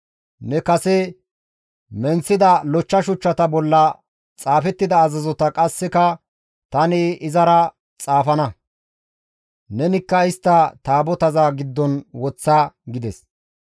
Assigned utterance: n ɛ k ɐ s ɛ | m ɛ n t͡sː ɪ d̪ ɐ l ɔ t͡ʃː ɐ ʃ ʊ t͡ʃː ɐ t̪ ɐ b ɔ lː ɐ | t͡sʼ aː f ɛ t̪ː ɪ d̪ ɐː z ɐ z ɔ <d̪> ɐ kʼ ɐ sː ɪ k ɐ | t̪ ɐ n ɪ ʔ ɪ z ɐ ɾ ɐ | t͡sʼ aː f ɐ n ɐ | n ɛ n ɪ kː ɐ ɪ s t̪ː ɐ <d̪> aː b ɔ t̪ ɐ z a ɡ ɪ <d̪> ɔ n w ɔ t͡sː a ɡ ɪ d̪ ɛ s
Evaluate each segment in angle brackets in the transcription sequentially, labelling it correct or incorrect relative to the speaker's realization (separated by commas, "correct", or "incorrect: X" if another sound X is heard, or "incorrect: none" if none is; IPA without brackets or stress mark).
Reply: incorrect: t̪, incorrect: t̪, incorrect: d̪ː